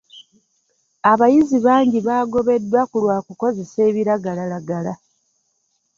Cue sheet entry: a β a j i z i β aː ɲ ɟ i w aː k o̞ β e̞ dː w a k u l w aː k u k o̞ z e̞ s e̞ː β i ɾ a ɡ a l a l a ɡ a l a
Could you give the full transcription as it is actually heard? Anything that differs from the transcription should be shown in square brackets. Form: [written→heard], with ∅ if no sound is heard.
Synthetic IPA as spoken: a β a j i z i β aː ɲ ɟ i [w→β] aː [k→ɡ] o̞ β e̞ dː w a k u l w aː k u k o̞ z e̞ s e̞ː β i ɾ a ɡ a l a l a ɡ a l a